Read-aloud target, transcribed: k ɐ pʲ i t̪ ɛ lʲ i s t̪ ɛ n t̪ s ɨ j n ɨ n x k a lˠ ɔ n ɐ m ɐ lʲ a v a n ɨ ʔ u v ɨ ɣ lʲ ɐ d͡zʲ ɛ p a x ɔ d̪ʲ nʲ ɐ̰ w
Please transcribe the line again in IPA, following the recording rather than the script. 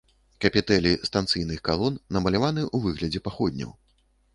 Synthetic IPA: k ɐ pʲ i t̪ ɛ lʲ i s t̪ a n t̪ s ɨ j n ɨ x k a lˠ ɔ nː ɐ m ɐ lʲ a v a n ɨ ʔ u v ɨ ɣ lʲ ɐ d͡zʲ ɛ p a x ɔ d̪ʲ nʲ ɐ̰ w